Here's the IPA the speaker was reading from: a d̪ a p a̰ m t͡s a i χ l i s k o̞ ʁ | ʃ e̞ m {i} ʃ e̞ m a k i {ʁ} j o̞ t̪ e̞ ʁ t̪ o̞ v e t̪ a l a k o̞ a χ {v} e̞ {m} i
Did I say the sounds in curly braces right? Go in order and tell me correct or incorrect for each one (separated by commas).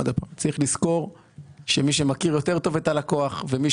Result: correct, correct, correct, correct